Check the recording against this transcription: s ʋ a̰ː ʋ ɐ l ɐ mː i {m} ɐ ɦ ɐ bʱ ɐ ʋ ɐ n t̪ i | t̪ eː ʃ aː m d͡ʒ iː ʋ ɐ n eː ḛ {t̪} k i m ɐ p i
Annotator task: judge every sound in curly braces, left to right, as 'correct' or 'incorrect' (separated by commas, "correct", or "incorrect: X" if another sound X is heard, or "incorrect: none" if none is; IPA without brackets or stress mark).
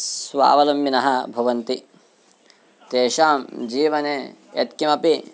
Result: incorrect: n, correct